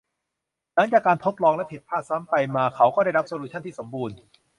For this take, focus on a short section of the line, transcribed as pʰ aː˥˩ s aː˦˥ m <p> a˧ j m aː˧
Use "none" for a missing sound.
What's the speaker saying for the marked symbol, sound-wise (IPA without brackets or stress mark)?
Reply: p